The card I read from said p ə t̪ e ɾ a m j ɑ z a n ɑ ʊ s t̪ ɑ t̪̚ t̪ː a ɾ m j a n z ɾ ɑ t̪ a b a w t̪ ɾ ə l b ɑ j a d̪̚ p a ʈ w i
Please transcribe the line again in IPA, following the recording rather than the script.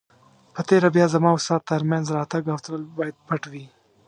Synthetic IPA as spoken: p ə t̪ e ɾ a b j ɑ z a m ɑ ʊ s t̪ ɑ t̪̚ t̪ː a ɾ m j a n z ɾ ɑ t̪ a ɡ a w t̪ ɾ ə l b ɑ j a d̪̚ p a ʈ w i